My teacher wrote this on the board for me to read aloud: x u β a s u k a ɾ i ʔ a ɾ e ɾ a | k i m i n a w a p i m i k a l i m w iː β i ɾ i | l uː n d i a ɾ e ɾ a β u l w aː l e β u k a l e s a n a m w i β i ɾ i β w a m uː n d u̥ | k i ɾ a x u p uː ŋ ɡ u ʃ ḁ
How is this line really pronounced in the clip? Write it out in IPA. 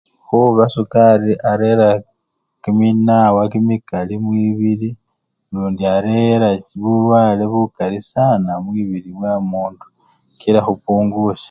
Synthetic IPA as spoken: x u β a s u k a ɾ i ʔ a ɾ e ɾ a | k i m i n a w a k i m i k a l i m w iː β i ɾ i | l uː n d i a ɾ e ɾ a β u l w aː l e β u k a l i s a n a m w i β i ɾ i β w a m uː n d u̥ | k i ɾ a x u p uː ŋ ɡ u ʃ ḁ

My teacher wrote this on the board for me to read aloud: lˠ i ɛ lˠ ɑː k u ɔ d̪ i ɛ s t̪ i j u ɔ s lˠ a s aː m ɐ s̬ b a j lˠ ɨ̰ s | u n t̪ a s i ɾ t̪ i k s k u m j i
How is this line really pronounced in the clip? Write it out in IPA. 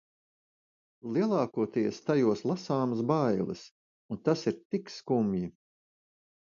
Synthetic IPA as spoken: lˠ i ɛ lˠ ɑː k u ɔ t̪ i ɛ s t̪ a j u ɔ s lˠ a s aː m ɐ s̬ b a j lˠ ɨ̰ s | u n t̪ a s i ɾ t̪ i k s k u m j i

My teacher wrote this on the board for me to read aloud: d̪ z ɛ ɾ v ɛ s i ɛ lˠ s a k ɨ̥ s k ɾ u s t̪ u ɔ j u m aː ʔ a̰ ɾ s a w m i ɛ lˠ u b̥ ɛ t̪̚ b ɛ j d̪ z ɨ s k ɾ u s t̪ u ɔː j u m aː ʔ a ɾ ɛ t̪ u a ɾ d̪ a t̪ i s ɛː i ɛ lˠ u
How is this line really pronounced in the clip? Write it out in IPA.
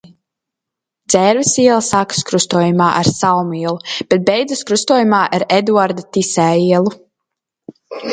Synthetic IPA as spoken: d̪ z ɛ ɾ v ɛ s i ɛ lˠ s a k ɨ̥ s k ɾ u s t̪ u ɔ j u m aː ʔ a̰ ɾ s a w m i ɛ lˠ u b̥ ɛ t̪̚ b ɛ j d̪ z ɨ s k ɾ u s t̪ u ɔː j u m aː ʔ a ɾ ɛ d̪ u a ɾ d̪ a t̪ i s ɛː i ɛ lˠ u

